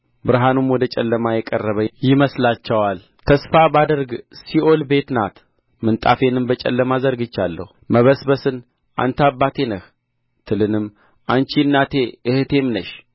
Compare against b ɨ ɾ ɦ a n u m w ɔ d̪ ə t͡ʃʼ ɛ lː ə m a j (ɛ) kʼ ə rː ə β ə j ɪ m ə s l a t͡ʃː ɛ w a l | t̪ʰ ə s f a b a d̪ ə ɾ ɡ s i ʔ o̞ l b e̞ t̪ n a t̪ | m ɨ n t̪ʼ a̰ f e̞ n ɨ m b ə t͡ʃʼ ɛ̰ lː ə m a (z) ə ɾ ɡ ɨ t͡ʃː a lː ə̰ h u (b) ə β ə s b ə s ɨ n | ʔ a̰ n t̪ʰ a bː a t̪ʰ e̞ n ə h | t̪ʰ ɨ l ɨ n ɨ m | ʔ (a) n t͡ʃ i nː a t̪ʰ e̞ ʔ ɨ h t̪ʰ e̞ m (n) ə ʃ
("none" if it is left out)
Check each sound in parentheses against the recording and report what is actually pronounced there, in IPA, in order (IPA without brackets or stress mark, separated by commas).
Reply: ɛ, z, m, a, n